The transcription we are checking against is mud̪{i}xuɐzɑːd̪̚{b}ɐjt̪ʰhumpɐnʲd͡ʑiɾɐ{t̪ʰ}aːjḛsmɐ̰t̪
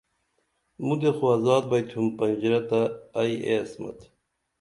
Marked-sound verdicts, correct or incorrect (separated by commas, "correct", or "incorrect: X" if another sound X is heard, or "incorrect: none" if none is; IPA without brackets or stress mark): incorrect: e, correct, incorrect: t̪